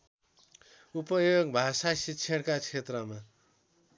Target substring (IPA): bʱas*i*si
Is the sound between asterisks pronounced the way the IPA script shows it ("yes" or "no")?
no